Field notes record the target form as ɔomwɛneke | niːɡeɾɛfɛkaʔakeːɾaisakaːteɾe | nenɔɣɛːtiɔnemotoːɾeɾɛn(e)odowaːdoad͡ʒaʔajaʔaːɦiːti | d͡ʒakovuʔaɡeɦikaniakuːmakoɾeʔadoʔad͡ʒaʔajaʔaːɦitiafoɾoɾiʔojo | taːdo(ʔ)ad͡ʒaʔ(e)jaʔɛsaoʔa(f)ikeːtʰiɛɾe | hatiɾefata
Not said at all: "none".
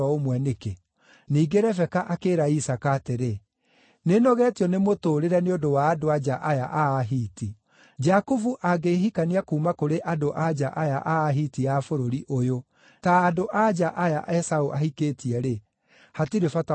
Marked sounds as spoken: e, ʔ, a, h

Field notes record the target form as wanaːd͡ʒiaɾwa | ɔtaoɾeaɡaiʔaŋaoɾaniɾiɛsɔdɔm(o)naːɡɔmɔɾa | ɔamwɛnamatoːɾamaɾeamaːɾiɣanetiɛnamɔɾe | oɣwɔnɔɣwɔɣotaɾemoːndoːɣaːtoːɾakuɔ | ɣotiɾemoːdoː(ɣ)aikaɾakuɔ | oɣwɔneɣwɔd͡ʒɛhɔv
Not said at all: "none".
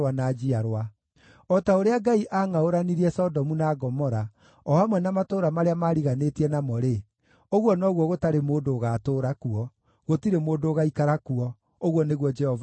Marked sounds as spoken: u, ɣ

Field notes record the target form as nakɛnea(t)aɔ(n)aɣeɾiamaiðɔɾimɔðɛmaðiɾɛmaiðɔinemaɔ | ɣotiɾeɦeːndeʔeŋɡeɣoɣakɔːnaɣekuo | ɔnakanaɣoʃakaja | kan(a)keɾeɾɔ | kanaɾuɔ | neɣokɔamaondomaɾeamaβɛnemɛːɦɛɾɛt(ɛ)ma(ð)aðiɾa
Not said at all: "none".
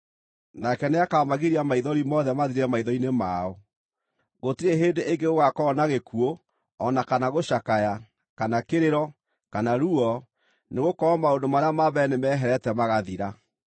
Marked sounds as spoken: k, m, a, ɛ, ɣ

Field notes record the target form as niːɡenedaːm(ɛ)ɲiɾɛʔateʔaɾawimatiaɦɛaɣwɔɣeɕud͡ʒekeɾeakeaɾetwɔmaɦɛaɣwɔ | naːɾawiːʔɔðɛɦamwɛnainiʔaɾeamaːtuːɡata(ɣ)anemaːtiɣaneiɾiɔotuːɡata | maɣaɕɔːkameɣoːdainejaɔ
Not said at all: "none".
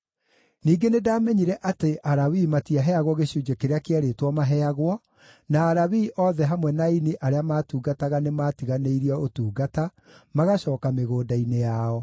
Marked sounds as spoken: ɛ, ɣ

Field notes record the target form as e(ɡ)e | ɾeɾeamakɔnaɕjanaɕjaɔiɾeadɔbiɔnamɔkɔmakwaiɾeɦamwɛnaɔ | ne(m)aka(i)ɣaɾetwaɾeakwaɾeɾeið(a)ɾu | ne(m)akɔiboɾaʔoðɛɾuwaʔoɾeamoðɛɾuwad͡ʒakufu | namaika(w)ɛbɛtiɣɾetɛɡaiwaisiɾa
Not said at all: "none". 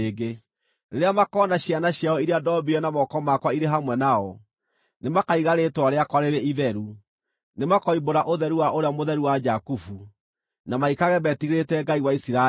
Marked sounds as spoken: ɡ, m, i, ɛ, m, ɣ

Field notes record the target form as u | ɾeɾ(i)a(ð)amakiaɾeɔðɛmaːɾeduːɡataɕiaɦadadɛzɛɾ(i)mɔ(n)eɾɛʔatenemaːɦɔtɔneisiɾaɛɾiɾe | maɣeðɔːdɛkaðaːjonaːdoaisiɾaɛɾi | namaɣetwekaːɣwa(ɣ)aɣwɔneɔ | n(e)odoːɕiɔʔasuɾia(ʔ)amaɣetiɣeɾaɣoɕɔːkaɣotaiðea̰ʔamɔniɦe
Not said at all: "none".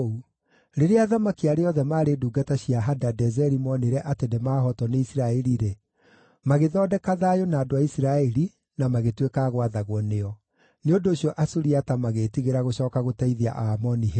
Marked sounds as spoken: e, ð, i, n, ð, e, t

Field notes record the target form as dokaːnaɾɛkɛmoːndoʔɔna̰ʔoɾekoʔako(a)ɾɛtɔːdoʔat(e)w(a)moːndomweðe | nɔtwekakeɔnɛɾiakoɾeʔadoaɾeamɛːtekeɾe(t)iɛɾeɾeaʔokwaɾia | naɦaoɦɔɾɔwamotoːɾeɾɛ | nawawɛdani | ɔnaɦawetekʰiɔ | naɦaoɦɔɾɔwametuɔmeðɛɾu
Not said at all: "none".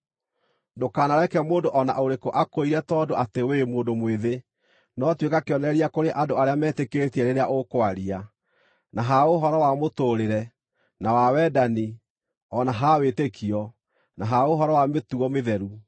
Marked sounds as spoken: i, e, e, t

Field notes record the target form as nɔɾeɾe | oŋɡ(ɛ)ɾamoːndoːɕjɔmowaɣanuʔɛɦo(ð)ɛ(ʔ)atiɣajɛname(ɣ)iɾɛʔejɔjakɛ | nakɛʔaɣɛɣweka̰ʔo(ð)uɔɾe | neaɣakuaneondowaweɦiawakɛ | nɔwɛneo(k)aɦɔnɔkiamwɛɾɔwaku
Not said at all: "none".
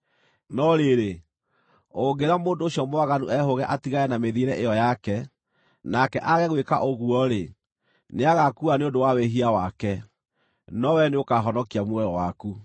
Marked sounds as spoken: e, ɣ, ʔ, ð, ɣ, k

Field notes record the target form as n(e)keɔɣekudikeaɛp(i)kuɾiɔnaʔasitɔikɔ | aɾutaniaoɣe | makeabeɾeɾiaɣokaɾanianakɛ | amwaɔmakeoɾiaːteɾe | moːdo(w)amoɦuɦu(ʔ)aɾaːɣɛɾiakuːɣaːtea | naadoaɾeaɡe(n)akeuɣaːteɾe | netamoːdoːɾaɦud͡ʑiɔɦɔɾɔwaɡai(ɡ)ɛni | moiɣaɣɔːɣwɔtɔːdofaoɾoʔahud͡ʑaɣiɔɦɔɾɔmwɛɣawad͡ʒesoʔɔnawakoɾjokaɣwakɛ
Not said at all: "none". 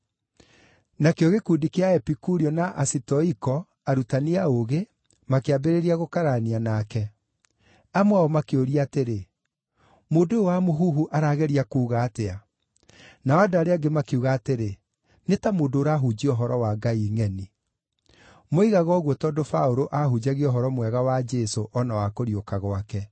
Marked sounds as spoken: a, i, w, ʔ, m, ŋ

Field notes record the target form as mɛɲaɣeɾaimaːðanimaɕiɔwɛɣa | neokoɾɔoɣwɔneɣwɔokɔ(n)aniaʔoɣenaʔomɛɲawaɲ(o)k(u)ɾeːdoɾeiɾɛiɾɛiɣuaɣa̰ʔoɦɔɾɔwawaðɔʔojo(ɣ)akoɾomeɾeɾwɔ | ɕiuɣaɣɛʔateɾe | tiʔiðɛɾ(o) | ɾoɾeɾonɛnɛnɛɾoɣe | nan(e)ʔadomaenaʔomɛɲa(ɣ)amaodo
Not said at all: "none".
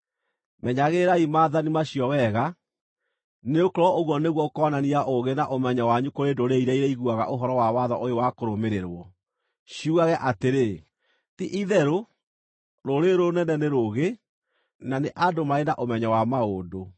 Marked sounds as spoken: n, u, o, w, o, e, w

